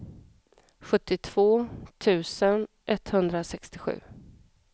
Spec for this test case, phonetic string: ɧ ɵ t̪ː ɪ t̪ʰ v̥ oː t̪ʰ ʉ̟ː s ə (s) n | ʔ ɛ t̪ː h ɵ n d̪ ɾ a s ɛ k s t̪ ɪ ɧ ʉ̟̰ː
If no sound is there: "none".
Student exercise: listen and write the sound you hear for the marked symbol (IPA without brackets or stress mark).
none